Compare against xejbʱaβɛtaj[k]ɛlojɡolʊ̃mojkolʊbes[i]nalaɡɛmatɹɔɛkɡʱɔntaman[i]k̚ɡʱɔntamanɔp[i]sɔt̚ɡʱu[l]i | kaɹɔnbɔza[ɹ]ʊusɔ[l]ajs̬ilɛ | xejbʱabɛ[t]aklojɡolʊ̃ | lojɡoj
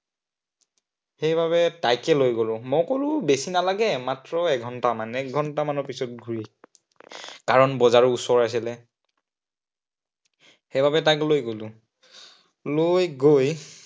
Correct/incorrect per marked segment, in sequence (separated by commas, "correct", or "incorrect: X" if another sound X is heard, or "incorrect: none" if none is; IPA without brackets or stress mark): correct, correct, incorrect: ɛ, correct, incorrect: ɹ, correct, incorrect: ɹ, correct